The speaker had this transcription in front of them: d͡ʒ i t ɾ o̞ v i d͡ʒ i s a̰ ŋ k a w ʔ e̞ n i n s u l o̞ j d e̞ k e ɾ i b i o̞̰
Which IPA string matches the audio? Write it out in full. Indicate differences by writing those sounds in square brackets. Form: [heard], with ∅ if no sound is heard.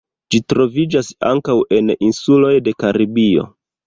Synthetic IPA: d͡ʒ i t ɾ o̞ v i d͡ʒ [a] s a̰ ŋ k a w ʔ e̞ n i n s u l o̞ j d e̞ k [a] ɾ i b i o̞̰